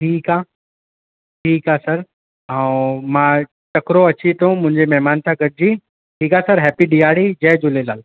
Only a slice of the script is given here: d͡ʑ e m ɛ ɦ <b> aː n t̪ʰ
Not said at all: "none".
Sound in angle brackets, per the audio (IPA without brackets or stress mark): m